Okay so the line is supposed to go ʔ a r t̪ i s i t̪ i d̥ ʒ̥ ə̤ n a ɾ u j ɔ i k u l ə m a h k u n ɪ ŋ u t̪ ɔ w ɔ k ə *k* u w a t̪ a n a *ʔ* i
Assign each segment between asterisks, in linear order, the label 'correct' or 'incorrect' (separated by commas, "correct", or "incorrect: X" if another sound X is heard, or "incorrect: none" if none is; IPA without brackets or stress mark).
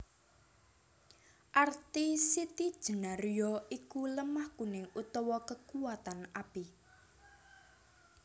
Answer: correct, incorrect: p